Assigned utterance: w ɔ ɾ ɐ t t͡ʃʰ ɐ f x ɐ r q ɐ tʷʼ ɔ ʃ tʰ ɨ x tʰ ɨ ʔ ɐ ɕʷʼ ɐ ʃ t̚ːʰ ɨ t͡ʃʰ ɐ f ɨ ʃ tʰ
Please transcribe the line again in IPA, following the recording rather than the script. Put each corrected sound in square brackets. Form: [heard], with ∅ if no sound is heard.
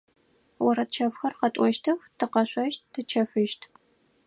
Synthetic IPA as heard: w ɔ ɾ ɐ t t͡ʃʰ ɐ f x ɐ r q ɐ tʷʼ ɔ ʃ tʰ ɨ x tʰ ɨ [q] ɐ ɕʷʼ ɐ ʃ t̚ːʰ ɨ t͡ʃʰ ɐ f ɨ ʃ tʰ

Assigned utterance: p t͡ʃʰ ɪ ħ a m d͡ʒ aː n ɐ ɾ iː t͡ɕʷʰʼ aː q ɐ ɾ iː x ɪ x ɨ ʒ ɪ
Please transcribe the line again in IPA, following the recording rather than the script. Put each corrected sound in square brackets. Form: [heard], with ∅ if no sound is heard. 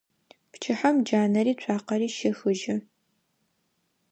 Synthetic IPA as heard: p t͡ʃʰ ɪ ħ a m d͡ʒ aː n ɐ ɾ iː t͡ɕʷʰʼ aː q ɐ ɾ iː [ʃ] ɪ x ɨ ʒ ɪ

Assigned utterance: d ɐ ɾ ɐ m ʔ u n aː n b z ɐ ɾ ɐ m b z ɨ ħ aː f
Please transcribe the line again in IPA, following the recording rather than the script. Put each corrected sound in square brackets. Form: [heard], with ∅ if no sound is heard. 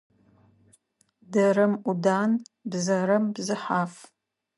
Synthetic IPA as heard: d ɐ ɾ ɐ m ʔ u [d] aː n b z ɐ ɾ ɐ m b z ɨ ħ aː f

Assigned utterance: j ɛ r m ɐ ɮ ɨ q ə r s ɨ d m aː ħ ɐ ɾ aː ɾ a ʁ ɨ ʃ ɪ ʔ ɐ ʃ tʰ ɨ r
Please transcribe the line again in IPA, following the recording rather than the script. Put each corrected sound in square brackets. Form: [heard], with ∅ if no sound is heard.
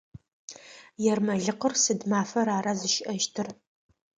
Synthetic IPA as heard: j ɛ r m ɐ ɮ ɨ q ə r s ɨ d m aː [f] ɐ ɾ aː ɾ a [z] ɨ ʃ ɪ ʔ ɐ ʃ tʰ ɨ r

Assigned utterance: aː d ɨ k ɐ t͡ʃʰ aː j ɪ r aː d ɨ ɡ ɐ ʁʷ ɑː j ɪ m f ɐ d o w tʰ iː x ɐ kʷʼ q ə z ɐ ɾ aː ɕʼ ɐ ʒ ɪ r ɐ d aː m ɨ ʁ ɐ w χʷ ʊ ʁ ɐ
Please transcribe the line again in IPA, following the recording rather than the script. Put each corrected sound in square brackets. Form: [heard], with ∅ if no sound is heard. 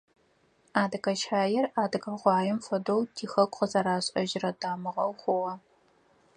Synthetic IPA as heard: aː d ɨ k ɐ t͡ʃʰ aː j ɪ r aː d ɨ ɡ ɐ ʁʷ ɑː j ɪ m f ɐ d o w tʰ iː x ɐ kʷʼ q ə z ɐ ɾ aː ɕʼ ɐ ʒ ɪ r ɐ d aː m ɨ ʁ ɐ w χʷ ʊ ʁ ɐ

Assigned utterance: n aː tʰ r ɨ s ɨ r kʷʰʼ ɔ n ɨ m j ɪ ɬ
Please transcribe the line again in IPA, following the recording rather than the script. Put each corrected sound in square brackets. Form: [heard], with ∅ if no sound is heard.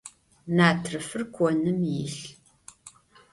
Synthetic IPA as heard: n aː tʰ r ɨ [f] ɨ r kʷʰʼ ɔ n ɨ m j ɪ ɬ

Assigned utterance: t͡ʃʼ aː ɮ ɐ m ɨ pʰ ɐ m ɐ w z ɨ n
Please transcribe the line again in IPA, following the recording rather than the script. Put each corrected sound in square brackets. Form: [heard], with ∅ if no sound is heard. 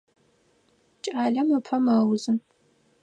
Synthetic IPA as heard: t͡ʃʼ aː ɮ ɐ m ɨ pʰ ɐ m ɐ w z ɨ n

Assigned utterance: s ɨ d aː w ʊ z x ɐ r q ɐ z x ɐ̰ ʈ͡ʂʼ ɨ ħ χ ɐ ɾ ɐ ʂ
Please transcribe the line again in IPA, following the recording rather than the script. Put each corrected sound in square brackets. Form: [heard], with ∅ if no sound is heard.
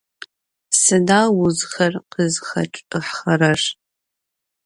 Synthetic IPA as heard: s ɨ d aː w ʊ z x ɐ r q [ə] z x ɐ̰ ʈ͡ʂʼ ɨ ħ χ ɐ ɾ ɐ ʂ

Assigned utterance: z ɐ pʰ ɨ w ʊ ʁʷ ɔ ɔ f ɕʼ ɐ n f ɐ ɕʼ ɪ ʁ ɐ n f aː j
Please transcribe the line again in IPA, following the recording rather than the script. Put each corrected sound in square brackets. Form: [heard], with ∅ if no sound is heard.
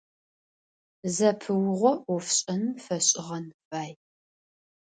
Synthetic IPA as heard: z ɐ pʰ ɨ w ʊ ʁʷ ɔ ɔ f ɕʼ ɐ n f ɐ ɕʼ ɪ ʁ ɐ n f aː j

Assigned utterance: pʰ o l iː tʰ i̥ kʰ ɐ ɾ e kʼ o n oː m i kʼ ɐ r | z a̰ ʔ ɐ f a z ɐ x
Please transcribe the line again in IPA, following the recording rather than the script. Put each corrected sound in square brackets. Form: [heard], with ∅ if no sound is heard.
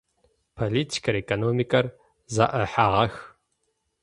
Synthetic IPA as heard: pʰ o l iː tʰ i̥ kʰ ɐ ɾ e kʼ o n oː m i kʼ ɐ r | z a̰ ʔ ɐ [ħ] a [ʁ] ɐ x

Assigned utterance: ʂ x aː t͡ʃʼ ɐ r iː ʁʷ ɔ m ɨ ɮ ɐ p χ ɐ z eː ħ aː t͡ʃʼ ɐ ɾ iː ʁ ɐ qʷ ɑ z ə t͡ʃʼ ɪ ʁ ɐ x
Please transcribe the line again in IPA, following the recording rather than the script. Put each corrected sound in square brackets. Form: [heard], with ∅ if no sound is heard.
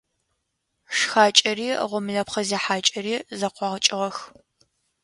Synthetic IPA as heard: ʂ x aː t͡ʃʼ ɐ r iː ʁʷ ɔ m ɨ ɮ ɐ p χ ɐ z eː ħ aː t͡ʃʼ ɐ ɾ iː [z] ɐ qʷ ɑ [ʁ] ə t͡ʃʼ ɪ ʁ ɐ x

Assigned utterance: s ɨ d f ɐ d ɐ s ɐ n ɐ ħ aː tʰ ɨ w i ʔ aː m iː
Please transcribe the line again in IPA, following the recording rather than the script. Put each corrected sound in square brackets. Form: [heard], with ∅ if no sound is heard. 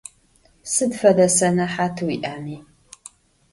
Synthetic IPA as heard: s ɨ d f ɐ d ɐ s ɐ n ɐ ħ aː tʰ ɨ w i ʔ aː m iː

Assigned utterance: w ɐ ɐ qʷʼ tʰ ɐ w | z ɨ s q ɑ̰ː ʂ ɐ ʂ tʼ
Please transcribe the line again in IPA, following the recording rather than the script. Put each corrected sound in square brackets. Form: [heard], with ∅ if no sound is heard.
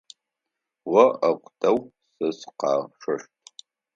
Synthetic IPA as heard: w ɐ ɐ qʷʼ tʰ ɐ w | [s] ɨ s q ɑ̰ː ʂ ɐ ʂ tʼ

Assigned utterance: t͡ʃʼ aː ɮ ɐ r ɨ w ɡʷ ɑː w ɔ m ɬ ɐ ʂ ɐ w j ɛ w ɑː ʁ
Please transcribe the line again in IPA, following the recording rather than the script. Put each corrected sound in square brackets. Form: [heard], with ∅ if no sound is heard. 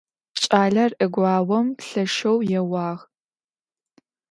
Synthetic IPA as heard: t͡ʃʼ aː ɮ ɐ r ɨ [∅] ɡʷ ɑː w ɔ m ɬ ɐ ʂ ɐ w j ɛ w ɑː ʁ

